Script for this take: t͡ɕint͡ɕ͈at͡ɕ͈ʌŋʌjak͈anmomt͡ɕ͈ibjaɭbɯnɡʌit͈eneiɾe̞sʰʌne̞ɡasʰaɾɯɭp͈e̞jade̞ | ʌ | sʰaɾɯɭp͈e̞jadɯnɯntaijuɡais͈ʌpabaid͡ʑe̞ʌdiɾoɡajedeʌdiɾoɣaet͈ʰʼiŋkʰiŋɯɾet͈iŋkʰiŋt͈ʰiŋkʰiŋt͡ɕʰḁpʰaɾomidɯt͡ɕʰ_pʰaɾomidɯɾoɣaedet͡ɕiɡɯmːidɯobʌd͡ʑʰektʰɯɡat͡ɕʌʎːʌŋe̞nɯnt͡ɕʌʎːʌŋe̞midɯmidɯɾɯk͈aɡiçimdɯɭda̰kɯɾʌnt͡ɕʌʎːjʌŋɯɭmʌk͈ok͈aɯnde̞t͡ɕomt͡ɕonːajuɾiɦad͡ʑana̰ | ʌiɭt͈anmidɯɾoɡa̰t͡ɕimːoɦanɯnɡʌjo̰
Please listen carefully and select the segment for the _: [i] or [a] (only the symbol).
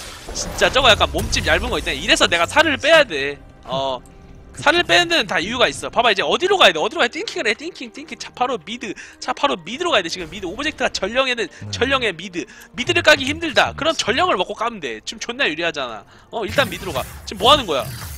a